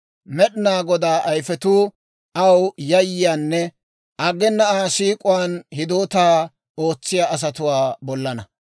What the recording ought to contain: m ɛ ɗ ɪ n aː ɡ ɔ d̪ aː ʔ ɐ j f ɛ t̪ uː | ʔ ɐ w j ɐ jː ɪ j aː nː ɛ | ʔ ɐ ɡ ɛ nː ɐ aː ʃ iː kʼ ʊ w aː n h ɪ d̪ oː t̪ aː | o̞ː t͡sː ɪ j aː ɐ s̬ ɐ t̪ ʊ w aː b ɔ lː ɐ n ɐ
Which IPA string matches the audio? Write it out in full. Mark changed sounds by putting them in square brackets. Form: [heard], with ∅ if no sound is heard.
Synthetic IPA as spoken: m ɛ ɗ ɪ n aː ɡ ɔ d̪ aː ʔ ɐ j f ɛ t̪ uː | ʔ ɐ w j ɐ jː ɪ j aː nː ɛ | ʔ ɐ ɡ ɛ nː ɐ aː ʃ iː kʼ ʊ w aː n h ɪ d̪ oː t̪ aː | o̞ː t͡sː ɪ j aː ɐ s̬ ɐ t̪ ʊ w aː b ɔ lː ɐ n ɐ